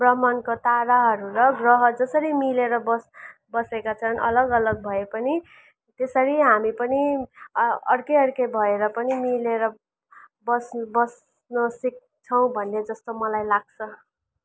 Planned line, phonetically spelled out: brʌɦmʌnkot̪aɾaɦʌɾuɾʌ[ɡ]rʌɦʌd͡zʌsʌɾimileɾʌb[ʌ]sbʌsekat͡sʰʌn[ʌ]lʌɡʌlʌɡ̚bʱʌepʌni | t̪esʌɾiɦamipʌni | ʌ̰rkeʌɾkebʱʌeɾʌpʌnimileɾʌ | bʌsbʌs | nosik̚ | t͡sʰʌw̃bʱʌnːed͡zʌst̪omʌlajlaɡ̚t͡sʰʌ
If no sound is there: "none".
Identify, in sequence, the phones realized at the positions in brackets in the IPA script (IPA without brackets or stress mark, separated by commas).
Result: ɡ, ʌ, ʌ